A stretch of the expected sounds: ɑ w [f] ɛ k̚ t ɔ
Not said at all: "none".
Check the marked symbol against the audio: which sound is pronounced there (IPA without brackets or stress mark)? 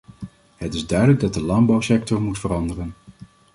s